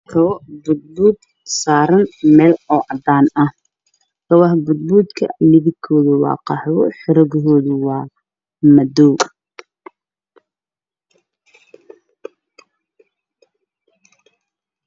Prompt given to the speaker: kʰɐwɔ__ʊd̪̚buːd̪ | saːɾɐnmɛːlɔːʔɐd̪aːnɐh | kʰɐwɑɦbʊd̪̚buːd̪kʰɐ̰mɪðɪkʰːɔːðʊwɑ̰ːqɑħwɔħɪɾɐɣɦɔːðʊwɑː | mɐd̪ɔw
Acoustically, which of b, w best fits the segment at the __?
b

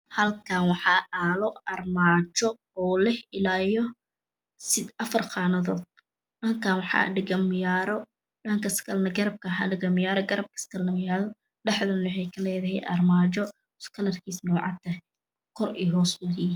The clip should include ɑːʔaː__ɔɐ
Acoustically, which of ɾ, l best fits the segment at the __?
l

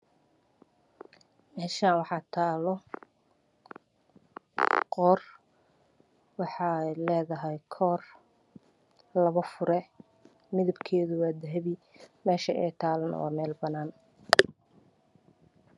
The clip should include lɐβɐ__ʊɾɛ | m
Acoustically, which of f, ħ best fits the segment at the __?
f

